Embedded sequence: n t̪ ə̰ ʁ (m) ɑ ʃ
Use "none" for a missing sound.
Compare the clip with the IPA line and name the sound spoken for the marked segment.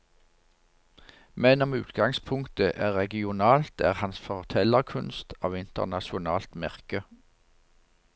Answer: n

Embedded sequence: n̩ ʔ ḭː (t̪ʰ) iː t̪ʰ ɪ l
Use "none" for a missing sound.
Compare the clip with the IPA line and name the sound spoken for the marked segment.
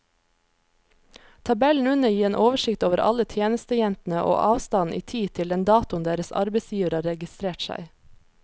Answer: t̪ʰ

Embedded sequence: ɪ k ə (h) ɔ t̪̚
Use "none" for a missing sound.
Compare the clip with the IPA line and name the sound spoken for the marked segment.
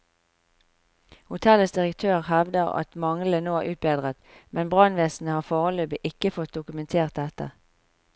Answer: f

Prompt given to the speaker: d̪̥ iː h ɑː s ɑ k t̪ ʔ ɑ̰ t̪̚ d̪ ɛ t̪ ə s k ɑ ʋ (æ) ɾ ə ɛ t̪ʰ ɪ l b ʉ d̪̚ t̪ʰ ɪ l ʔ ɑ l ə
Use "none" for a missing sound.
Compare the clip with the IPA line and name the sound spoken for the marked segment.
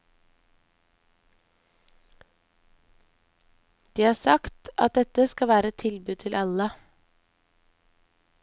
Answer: æː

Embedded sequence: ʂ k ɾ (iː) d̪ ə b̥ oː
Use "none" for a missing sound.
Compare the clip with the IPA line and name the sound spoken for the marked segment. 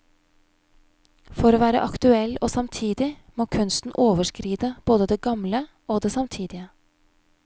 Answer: iː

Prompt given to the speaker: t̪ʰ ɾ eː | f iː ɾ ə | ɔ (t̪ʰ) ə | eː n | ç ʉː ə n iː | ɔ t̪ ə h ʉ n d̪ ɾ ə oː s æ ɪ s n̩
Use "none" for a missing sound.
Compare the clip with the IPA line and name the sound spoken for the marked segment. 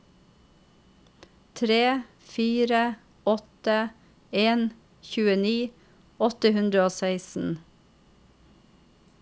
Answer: t̪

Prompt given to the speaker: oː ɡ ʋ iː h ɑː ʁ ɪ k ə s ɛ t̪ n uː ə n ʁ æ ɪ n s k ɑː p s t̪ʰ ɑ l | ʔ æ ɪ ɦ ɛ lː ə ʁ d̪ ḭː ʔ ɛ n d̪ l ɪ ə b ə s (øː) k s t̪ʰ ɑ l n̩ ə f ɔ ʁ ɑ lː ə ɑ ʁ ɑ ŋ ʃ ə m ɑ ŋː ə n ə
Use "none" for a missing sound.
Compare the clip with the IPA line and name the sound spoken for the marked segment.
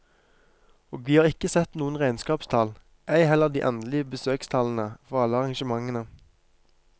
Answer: øː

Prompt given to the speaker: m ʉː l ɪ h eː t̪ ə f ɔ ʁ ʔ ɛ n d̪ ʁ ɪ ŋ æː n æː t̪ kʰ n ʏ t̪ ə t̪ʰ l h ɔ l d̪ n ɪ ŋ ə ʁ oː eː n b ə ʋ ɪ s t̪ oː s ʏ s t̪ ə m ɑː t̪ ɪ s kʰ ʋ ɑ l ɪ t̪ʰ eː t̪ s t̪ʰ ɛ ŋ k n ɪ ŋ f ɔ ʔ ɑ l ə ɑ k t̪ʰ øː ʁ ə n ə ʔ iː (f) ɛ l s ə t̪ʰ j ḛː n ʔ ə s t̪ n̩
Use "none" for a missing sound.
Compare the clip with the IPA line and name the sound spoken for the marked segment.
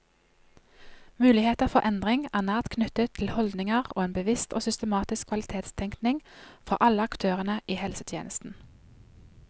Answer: h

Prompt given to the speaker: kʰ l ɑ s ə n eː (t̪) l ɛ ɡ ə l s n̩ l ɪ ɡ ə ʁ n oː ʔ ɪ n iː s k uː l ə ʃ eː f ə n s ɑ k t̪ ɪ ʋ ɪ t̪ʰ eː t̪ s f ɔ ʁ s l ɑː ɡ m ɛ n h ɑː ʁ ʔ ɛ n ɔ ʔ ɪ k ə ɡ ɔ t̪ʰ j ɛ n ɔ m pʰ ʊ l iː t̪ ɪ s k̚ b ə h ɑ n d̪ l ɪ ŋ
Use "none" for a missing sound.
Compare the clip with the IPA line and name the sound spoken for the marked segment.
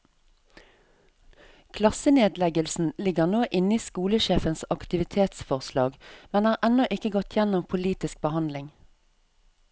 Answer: d̪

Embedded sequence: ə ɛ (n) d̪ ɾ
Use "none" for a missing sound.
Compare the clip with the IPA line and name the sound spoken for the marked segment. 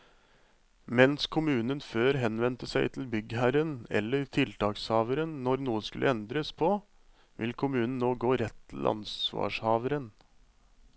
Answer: n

